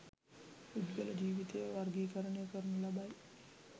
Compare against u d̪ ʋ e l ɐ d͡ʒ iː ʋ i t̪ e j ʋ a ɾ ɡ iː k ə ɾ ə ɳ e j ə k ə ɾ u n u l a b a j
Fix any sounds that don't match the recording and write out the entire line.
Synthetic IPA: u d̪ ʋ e l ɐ d͡ʒ iː ʋ i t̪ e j ʋ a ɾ ɡ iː k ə ɾ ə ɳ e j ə k ə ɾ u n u l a b a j